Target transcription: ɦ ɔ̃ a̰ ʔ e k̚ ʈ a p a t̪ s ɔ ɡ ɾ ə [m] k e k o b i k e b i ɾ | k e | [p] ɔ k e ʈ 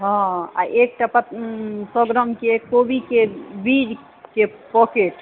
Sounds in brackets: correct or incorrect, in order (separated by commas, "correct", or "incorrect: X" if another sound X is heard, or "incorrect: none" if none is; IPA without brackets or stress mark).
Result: correct, correct